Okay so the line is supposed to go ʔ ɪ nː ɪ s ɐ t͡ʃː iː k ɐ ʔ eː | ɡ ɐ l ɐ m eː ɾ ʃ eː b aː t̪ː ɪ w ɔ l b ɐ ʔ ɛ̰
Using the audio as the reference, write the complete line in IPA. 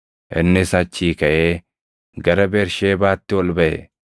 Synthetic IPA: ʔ ɪ nː ɪ s ɐ t͡ʃː iː k ɐ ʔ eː | ɡ ɐ ɾ ɐ b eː ɾ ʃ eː b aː t̪ː ɪ w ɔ l b ɐ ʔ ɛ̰

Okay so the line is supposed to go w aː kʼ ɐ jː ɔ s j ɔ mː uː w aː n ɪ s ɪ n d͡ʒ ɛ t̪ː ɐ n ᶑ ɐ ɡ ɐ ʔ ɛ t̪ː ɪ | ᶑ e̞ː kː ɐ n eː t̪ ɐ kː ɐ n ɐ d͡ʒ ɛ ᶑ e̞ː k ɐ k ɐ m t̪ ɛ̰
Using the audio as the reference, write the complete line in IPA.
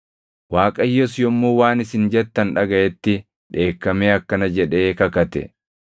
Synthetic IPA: w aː kʼ ɐ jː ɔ s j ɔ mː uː w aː n ɪ s ɪ n d͡ʒ ɛ t̪ː ɐ n ᶑ ɐ ɡ ɐ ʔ ɛ t̪ː ɪ | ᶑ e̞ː kː ɐ m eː ɐ kː ɐ n ɐ d͡ʒ ɛ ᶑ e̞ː k ɐ k ɐ t̪ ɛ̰

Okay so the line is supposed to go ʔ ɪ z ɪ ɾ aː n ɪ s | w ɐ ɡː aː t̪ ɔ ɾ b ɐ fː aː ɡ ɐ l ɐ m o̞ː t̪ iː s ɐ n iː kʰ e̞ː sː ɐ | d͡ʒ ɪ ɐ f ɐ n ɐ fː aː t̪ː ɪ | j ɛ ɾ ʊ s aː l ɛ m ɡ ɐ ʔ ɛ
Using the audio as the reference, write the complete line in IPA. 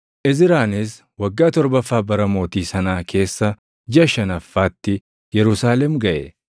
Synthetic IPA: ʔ ɪ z ɪ ɾ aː n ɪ s | w ɐ ɡː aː t̪ ɔ ɾ b ɐ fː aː b ɐ ɾ ɐ m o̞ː t̪ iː s ɐ n aː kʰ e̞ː sː ɐ | d͡ʒ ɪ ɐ ʃ ɐ n ɐ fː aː t̪ː ɪ | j ɛ ɾ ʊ s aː l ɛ m ɡ ɐ ʔ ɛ

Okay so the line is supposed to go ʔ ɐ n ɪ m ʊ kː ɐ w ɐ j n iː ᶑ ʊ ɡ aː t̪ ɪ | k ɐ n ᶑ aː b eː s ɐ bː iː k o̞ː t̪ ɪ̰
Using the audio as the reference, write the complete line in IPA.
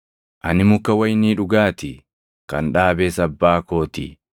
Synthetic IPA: ʔ ɐ n ɪ m ʊ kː ɐ w ɐ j n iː ᶑ ʊ ɡ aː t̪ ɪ | k ɐ n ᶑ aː b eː s ɐ bː aː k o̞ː t̪ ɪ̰

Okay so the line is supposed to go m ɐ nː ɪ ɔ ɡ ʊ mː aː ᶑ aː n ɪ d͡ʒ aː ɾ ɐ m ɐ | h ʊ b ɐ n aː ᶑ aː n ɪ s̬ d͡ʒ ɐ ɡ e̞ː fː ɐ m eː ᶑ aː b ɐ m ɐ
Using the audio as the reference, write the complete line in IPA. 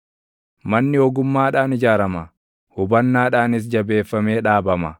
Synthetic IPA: m ɐ nː ɪ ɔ ɡ ʊ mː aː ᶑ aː n ɪ d͡ʒ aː ɾ ɐ m ɐ | h ʊ b ɐ nː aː ᶑ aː n ɪ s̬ d͡ʒ ɐ b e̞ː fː ɐ m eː ᶑ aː b ɐ m ɐ

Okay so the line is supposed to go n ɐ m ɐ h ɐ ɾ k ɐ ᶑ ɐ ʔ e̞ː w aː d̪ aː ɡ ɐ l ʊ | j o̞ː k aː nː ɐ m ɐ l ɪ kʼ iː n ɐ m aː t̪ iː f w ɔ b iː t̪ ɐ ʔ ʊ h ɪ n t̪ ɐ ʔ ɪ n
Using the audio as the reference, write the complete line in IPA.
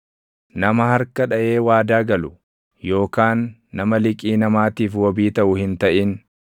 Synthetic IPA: n ɐ m ɐ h ɐ ɾ k ɐ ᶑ ɐ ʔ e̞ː w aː d̪ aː ɡ ɐ l ʊ | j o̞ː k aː nː ɐ m ɐ l ɪ kʼ iː n ɐ m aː t̪ iː f w ɔ b iː t̪ ɐ ʔ ʊ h ɪ n t̪ ɐ ʔ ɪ n

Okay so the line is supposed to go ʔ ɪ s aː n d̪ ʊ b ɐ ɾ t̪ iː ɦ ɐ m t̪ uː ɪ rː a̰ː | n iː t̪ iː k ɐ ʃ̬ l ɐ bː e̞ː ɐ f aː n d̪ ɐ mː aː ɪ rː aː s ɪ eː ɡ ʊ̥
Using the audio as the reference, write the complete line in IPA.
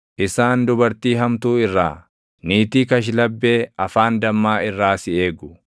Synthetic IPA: ʔ ɪ s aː n d̪ ʊ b ɐ ɾ t̪ iː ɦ ɐ m t̪ uː ɪ rː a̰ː | n iː t̪ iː k ɐ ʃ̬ l ɐ bː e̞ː ɐ f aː n d̪ ɐ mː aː ɪ rː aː s ɪ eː ɡ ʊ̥

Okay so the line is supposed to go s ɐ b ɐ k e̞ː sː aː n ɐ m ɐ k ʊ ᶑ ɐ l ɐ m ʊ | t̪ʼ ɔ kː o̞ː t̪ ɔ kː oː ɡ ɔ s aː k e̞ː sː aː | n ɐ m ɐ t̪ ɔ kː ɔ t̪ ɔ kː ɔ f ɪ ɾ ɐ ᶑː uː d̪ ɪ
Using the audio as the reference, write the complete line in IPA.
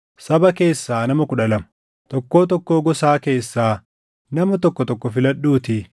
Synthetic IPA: s ɐ b ɐ k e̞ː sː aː n ɐ m ɐ k ʊ ᶑ ɐ l ɐ m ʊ | t̪ ɔ kː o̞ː t̪ ɔ kː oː ɡ ɔ s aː k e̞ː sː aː | n ɐ m ɐ t̪ ɔ kː ɔ t̪ ɔ kː ɔ f ɪ l ɐ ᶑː uː t̪ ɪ

